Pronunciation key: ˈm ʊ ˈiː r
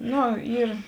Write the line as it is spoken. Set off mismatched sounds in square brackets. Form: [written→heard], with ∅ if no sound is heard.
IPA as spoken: [ˈm→ˈn] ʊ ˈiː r

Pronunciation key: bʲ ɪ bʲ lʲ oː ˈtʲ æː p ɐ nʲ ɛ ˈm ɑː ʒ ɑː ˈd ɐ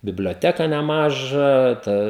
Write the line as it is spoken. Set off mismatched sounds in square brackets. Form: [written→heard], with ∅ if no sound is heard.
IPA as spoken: bʲ ɪ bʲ lʲ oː ˈtʲ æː [p→k] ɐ nʲ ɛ ˈm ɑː ʒ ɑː [ˈd→ˈt] ɐ

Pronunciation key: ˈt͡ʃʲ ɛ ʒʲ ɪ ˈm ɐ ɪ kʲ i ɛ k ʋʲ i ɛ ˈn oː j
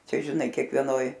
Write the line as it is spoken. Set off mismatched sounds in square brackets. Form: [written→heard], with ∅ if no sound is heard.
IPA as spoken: ˈt͡ʃʲ ɛ ʒʲ ɪ [ˈm→ˈn] ɐ ɪ kʲ i ɛ k ʋʲ i ɛ ˈn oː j

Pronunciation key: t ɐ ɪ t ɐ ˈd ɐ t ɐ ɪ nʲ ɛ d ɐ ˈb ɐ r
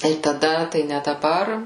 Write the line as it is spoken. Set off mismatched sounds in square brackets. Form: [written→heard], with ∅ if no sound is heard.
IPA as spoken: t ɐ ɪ t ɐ ˈd ɐ t ɐ ɪ nʲ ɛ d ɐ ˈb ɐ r

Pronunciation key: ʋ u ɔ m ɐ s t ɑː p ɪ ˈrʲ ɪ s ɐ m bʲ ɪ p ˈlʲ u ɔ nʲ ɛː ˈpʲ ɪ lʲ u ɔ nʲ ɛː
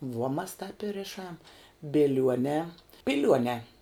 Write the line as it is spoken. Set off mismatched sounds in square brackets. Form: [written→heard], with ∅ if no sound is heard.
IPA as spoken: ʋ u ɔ m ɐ s t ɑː p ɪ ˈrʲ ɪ [s→ʃ] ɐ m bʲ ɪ [p→∅] ˈlʲ u ɔ nʲ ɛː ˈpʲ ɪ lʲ u ɔ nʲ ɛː

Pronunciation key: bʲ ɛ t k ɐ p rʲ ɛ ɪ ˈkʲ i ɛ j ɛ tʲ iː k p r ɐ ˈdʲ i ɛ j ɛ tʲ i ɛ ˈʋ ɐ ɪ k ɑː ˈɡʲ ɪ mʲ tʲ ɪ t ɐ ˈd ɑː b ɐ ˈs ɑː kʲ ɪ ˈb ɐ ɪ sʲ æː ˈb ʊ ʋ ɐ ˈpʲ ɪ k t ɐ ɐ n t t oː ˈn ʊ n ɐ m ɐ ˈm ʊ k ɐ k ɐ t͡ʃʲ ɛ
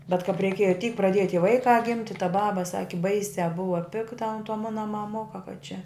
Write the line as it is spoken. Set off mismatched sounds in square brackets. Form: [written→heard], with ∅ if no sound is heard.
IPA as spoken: bʲ ɛ t k ɐ p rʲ ɛ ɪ ˈkʲ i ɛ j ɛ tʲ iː k p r ɐ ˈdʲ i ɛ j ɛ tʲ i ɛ ˈʋ ɐ ɪ k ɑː ˈɡʲ ɪ mʲ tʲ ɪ t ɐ [ˈd→ˈb] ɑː b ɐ ˈs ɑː kʲ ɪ ˈb ɐ ɪ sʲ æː ˈb ʊ ʋ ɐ ˈpʲ ɪ k t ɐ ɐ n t t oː [ˈn→ˈm] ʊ n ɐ m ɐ ˈm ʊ k ɐ k ɐ t͡ʃʲ ɛ

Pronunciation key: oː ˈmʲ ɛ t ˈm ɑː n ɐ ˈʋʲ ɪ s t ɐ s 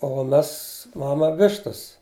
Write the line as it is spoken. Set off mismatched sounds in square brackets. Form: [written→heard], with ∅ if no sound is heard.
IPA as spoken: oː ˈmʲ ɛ [t→s] ˈm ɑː [n→m] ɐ ˈʋʲ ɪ [s→ʃ] t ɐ s

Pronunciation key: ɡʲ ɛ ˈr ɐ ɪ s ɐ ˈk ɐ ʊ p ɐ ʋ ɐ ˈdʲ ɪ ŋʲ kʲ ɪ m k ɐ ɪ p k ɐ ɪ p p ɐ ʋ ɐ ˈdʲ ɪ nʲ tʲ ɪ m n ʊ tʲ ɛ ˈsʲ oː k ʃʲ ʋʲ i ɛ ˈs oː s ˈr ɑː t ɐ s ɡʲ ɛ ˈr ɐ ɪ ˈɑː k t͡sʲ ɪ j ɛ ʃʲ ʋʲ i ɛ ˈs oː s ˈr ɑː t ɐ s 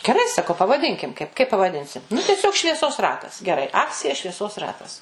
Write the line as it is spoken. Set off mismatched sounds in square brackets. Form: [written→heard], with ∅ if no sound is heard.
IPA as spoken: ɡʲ ɛ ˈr ɐ ɪ s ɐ ˈk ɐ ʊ p ɐ ʋ ɐ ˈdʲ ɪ ŋʲ kʲ ɪ m k ɐ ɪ p k ɐ ɪ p p ɐ ʋ ɐ ˈdʲ ɪ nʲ [tʲ→sʲ] ɪ m n ʊ tʲ ɛ ˈsʲ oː k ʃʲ ʋʲ i ɛ ˈs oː s ˈr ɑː t ɐ s ɡʲ ɛ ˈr ɐ ɪ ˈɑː k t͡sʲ ɪ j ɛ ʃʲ ʋʲ i ɛ ˈs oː s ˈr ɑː t ɐ s

